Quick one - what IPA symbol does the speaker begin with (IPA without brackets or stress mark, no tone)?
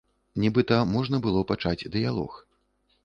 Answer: nʲ